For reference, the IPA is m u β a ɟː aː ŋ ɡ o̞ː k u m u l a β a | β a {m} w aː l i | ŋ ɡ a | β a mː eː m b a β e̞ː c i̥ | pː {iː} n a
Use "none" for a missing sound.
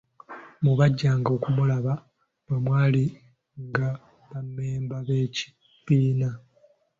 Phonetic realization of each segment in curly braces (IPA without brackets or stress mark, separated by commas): m, iː